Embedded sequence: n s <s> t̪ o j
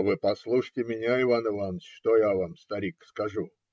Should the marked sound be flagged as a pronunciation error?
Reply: yes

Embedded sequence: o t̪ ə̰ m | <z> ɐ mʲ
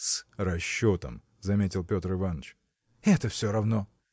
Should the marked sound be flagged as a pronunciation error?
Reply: no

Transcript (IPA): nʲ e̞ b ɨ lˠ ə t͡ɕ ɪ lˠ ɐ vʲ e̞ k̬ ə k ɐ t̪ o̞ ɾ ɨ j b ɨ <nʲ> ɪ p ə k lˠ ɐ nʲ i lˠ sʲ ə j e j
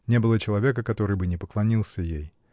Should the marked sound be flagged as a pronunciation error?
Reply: no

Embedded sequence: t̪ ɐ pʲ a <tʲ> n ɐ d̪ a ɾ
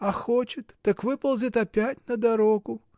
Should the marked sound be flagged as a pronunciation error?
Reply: no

